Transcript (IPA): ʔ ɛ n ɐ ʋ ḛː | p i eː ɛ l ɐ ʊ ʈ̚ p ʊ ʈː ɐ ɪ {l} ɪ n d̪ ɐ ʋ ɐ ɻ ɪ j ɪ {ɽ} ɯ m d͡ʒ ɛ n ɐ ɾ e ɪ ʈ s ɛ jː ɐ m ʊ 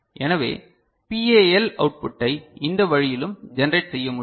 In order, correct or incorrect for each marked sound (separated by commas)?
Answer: incorrect, incorrect